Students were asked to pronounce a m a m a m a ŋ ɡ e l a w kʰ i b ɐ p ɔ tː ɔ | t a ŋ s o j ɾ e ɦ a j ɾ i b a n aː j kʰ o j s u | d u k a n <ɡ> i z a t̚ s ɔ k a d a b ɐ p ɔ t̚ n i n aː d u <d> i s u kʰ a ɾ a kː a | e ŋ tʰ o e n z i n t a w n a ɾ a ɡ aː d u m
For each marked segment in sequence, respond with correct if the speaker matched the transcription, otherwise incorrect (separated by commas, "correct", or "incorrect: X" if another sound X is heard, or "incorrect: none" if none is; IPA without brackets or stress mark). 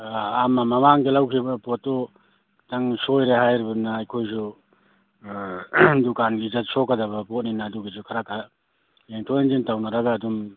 correct, incorrect: ɡ